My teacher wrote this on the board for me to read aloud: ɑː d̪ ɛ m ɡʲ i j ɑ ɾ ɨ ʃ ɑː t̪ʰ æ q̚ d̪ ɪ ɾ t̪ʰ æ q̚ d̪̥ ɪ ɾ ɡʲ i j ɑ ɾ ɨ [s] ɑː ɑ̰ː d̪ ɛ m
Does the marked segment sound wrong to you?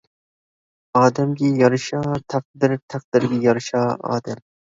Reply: yes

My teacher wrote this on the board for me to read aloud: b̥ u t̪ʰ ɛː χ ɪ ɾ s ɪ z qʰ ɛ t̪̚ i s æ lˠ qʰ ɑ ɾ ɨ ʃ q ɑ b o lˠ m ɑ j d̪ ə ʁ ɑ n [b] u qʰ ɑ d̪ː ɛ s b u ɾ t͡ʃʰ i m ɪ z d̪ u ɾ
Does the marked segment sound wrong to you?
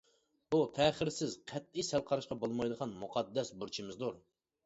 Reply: yes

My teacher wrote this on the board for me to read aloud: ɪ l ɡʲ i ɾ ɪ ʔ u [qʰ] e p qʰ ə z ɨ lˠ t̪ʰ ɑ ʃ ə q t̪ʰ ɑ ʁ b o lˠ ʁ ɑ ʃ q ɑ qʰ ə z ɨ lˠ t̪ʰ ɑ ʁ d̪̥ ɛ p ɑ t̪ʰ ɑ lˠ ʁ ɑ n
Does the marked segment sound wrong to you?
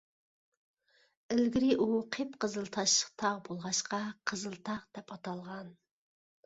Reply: no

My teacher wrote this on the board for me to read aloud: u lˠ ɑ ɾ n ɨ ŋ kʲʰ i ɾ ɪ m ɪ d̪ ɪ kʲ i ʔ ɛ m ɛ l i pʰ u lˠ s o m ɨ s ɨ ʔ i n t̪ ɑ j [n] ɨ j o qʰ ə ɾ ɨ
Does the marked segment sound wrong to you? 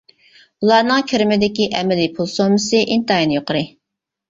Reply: no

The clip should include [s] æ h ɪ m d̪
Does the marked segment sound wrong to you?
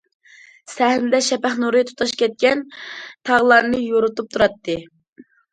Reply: no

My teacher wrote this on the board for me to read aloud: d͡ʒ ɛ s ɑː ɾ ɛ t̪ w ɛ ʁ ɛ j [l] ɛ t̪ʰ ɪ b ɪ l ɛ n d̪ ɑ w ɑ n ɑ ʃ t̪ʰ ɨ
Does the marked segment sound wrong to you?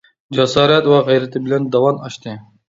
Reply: yes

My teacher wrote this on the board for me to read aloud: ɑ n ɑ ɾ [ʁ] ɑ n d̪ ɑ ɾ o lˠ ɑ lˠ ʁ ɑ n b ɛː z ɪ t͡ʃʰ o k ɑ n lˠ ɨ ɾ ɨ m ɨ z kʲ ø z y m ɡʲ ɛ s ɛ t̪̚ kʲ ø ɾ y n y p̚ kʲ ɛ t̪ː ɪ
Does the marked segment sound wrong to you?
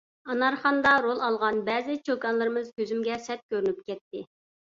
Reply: yes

